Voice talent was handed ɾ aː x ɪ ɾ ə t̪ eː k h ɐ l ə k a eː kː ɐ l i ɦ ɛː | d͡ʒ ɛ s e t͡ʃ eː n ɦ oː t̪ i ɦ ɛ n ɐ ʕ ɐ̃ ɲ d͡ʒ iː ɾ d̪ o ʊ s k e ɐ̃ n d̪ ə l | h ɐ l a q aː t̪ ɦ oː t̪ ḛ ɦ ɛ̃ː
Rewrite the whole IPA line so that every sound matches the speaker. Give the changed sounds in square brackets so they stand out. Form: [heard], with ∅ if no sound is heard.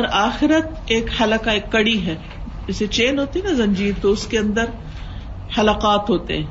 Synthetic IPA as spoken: ɾ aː x ɪ ɾ ə t̪ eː k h ɐ l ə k a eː kː ɐ [ɽ] i ɦ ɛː | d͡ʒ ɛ s e t͡ʃ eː n ɦ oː t̪ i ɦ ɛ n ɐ [z] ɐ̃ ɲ d͡ʒ iː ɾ [t̪] o ʊ s k e ɐ̃ n d̪ ə [ɾ] | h ɐ l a q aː t̪ ɦ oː t̪ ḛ ɦ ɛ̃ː